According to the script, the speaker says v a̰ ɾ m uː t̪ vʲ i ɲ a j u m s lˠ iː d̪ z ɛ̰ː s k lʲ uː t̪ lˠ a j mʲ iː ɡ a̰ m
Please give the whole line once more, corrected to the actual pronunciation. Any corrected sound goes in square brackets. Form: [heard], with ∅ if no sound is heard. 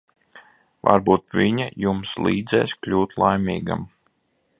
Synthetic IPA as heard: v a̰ ɾ [b] uː t̪ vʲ i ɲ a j u m s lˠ iː d̪ z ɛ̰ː s k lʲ uː t̪ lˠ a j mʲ iː ɡ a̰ m

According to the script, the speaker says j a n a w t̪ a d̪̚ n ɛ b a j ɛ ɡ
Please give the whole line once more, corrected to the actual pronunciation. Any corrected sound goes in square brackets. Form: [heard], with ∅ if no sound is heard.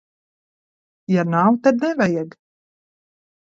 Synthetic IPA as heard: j a n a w t̪ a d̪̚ n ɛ [v] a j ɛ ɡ

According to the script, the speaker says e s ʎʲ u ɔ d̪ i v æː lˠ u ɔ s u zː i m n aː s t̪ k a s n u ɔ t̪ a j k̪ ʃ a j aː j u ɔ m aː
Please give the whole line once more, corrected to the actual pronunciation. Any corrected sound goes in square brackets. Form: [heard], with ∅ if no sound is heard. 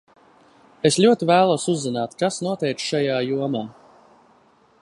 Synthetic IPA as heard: e s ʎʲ u ɔ [t̪] i v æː lˠ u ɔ s u zː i [∅] n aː [∅] t̪ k a s n u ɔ t̪ [ɛ] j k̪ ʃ a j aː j u ɔ m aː

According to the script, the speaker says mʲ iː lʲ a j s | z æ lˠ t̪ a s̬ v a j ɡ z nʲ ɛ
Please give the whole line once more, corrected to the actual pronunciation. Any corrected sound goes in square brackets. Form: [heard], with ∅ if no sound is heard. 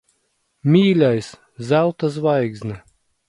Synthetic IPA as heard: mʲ iː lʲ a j s | z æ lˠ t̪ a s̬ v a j ɡ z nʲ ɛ

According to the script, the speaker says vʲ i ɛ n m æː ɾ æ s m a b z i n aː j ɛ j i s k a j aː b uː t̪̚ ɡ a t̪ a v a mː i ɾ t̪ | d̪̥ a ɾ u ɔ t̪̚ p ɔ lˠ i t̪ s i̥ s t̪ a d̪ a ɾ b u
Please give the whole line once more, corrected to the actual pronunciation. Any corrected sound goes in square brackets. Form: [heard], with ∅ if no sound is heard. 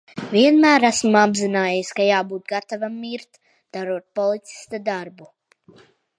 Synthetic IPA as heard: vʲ i ɛ n m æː ɾ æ s m a b z i n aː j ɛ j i s k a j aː b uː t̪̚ ɡ a t̪ a v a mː i ɾ t̪ | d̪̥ a ɾ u ɔ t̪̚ p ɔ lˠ i t̪ s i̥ s t̪ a d̪ a ɾ b u

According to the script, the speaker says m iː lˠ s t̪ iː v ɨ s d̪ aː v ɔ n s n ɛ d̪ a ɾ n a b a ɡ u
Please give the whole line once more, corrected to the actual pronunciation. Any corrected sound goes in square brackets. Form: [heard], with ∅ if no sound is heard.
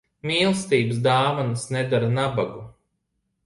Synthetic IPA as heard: m iː lˠ s t̪ iː [b] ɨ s d̪ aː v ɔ n s n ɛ d̪ a ɾ n a b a ɡ u

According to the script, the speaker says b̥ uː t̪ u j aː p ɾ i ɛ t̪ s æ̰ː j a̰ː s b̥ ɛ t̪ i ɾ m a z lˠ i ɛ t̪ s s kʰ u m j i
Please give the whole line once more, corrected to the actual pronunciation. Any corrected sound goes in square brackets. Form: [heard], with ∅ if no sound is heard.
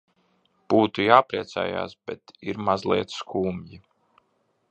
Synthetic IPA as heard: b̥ uː t̪ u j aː p ɾ i ɛ t̪ s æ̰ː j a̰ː s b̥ ɛ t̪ i ɾ m a z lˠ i ɛ t̪ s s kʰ [uː] m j i

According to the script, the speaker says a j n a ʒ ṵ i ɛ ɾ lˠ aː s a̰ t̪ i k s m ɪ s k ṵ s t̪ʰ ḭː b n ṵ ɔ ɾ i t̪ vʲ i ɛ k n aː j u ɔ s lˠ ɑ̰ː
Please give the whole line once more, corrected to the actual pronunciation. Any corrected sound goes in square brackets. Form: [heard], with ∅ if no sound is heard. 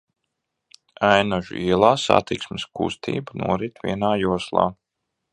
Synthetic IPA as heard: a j n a ʒ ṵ i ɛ [∅] lˠ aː s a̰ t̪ i k s m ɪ s k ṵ s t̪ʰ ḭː b n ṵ ɔ ɾ i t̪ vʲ i ɛ [∅] n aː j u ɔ s lˠ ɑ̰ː

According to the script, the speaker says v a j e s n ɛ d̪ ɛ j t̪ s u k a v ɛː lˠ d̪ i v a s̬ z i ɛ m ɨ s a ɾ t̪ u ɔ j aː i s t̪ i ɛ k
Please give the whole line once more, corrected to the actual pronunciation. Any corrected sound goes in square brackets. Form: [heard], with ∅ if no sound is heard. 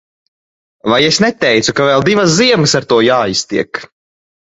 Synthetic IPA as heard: v a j e s n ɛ [t̪] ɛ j t̪ s u k a v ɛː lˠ d̪ i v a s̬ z i ɛ m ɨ s a ɾ t̪ u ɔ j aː i s t̪ i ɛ k

